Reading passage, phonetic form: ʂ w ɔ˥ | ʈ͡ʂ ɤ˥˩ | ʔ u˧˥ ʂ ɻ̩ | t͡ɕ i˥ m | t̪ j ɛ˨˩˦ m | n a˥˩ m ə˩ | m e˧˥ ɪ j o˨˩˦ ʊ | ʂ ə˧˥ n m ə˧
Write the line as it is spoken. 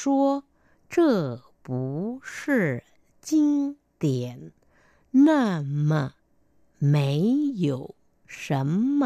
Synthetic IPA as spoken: ʂ w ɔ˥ | ʈ͡ʂ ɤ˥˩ | p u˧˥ ʂ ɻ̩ | t͡ɕ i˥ ŋ | t̪ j ɛ˨˩˦ n | n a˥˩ m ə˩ | m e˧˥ ɪ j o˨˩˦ ʊ | ʂ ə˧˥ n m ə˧